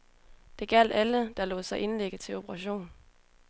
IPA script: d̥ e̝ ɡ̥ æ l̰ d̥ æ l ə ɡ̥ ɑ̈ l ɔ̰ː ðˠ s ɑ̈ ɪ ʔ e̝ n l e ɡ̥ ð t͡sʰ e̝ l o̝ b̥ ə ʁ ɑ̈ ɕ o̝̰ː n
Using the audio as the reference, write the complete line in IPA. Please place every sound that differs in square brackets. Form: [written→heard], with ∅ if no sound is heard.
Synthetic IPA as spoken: d̥ e̝ ɡ̥ æ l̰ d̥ æ l ə [ɡ̥→d̥] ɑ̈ l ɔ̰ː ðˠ s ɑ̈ ɪ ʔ e̝ n l e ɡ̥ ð t͡sʰ e̝ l o̝ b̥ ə ʁ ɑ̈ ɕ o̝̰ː n